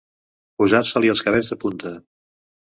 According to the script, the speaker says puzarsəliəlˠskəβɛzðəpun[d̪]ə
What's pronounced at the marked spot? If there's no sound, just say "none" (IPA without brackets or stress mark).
t̪